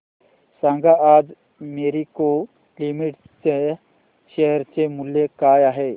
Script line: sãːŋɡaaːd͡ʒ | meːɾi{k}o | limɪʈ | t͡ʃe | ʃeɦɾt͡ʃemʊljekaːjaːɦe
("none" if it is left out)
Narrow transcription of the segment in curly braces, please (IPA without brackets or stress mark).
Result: k